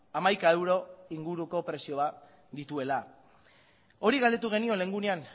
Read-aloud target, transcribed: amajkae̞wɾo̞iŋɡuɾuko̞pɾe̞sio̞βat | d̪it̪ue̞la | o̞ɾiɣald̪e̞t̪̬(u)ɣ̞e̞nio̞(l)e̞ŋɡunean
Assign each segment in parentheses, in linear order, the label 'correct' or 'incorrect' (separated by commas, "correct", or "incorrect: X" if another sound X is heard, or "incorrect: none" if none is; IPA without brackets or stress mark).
correct, correct